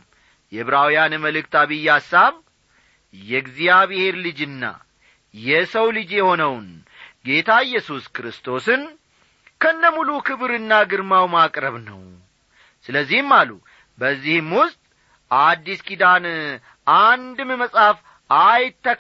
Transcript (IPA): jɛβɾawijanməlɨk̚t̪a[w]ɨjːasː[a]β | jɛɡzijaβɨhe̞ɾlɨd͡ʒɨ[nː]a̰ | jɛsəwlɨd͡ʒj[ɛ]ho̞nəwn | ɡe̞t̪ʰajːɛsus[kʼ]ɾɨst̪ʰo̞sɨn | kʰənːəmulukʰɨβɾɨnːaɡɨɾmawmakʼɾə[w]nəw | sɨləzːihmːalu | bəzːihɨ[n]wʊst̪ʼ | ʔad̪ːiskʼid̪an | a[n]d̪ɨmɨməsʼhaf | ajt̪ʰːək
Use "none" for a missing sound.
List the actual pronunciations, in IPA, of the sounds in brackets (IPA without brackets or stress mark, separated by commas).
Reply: β, a, nː, ɛ, k, β, m, n